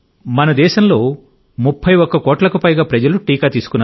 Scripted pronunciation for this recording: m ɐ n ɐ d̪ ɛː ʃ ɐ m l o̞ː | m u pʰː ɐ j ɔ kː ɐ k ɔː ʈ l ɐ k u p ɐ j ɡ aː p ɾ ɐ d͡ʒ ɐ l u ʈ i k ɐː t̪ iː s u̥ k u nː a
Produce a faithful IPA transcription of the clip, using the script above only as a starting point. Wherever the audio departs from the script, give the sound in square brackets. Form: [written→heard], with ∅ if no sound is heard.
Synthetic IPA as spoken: m ɐ n ɐ d̪ ɛː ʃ ɐ m l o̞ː | m u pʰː ɐ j ɔ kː ɐ k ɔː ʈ l ɐ k u p ɐ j ɡ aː p ɾ ɐ d͡ʒ ɐ l u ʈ [i→iː] k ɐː t̪ iː s u̥ k u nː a